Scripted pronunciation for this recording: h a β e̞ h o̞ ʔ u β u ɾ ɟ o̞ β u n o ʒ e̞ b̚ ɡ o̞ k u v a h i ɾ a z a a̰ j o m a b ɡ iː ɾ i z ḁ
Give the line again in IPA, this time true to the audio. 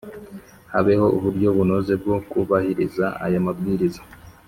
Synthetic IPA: h a β e̞ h o̞ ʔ u β u ɾ ɟ o̞ β u n o z e̞ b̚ ɡ o̞ k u β a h i ɾ i z a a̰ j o m a b ɡ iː ɾ i z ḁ